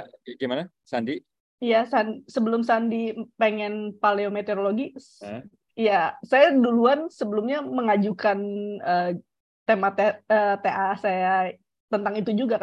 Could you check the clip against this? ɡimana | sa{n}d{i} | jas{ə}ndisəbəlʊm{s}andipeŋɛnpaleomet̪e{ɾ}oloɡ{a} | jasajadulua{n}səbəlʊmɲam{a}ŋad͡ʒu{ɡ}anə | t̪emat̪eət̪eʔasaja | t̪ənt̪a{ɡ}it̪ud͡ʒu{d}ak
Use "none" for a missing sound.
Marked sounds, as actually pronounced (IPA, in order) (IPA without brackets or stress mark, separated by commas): n, i, a, s, ɾ, i, n, ə, k, ŋ, ɡ